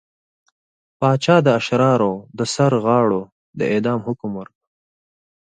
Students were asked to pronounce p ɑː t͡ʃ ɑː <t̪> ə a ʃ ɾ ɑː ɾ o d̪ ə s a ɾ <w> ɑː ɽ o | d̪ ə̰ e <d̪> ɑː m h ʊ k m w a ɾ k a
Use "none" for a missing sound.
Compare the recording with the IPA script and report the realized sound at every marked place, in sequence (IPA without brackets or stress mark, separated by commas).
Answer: d̪, ɣ, d̪